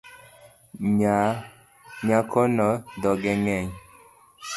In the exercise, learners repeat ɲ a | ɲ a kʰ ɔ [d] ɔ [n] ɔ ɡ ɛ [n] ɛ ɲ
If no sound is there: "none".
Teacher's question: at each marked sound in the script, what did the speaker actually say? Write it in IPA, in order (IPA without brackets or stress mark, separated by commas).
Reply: n, d, ŋ